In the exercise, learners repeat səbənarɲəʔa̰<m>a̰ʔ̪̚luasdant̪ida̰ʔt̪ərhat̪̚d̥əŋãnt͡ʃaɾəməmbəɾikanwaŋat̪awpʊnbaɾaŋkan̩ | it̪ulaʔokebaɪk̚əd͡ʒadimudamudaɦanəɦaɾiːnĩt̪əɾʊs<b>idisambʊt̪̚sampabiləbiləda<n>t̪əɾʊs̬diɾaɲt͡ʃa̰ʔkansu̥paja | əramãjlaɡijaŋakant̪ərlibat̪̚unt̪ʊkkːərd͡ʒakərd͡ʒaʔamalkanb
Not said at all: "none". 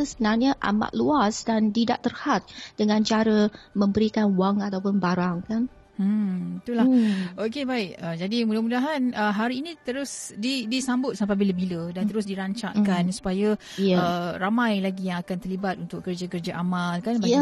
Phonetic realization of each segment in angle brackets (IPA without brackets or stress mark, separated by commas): m, d, n